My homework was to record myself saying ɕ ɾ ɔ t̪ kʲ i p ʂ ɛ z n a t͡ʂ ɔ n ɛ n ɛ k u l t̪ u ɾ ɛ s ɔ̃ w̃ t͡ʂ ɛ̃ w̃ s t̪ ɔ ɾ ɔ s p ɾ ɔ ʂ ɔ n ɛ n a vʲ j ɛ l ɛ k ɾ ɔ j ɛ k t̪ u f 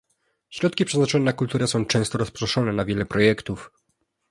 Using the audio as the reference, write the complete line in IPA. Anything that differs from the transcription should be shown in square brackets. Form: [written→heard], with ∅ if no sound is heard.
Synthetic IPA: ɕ ɾ ɔ t̪ kʲ i p ʂ ɛ z n a t͡ʂ ɔ n ɛ n [ɛ→a] k u l t̪ u ɾ ɛ s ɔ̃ w̃ t͡ʂ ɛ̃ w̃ s t̪ ɔ ɾ ɔ s p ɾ ɔ ʂ ɔ n ɛ n a vʲ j ɛ l ɛ [k→p] ɾ ɔ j ɛ k t̪ u f